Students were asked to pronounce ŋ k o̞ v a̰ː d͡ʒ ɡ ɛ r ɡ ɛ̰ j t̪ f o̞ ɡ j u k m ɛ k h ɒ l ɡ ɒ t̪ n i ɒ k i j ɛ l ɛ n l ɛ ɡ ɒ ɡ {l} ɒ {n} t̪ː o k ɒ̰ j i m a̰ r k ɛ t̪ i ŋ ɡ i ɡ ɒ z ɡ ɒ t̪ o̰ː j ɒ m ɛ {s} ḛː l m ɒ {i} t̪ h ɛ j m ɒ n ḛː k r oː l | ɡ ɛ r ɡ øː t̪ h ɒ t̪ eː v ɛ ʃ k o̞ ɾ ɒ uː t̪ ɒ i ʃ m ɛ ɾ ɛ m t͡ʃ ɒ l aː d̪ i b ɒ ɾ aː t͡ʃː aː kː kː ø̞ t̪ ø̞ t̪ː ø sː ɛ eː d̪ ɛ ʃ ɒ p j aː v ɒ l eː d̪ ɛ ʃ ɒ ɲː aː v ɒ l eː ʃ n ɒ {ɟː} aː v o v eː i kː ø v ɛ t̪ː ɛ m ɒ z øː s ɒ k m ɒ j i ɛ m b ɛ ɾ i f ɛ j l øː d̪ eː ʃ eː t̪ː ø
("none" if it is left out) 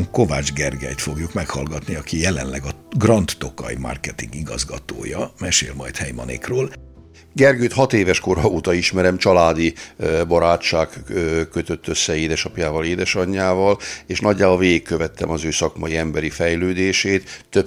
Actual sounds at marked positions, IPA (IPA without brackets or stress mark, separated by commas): r, n, ʃ, j, ɟː